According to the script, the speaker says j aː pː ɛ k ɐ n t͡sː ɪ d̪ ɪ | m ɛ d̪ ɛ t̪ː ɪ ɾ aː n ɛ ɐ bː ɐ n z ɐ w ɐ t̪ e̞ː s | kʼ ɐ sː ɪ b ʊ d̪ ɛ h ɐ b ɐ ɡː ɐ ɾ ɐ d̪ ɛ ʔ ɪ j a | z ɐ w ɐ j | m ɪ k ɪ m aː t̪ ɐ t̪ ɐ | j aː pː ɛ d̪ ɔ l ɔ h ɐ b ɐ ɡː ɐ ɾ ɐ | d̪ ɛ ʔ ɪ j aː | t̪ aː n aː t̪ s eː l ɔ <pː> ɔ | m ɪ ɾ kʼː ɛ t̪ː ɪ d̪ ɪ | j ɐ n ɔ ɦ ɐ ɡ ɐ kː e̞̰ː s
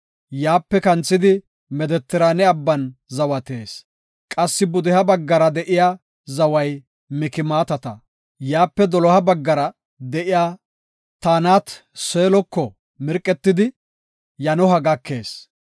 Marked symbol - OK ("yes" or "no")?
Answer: no